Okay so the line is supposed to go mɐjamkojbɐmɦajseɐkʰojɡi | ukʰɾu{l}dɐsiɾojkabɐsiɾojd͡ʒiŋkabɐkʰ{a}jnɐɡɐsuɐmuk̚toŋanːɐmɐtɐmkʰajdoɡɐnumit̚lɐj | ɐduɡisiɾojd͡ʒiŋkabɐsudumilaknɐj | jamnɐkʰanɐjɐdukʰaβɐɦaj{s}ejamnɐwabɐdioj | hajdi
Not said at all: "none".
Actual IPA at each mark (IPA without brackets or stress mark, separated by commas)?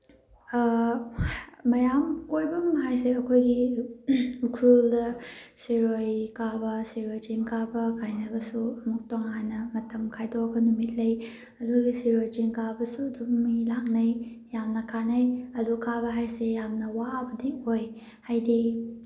l, a, s